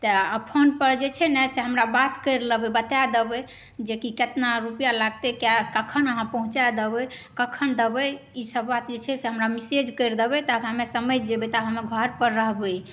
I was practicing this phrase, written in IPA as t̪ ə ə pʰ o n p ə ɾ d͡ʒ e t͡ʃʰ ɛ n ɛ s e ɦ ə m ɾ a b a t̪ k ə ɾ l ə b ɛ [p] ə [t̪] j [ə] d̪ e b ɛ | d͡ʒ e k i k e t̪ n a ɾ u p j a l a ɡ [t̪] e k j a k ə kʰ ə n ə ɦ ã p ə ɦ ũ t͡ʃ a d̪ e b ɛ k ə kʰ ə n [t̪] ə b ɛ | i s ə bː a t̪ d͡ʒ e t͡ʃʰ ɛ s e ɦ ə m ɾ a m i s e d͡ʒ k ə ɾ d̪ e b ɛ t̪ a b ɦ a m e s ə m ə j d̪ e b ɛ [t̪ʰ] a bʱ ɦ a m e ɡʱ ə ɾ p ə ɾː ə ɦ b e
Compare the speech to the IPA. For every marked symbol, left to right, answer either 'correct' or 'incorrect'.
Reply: incorrect, correct, incorrect, correct, incorrect, incorrect

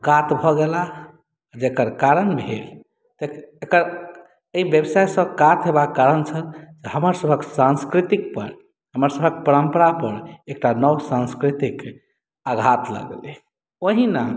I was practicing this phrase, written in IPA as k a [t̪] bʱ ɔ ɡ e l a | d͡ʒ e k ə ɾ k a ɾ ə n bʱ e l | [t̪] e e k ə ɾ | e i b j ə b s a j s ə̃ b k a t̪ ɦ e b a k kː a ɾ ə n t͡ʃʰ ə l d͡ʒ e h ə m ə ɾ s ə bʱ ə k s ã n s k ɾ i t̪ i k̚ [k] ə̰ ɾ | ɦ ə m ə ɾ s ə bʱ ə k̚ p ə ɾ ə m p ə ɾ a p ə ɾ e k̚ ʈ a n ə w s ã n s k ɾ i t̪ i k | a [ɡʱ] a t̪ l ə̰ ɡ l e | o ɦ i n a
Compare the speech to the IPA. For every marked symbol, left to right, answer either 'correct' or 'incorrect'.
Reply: correct, correct, incorrect, correct

